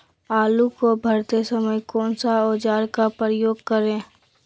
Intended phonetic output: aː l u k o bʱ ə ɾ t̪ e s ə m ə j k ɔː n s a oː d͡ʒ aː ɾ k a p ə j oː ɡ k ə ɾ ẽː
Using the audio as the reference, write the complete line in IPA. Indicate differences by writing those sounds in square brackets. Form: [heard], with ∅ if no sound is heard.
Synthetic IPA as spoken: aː l u k o bʱ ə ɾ t̪ e s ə m ə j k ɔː n s a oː d͡ʒ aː ɾ k a p ə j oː ɡ k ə ɾ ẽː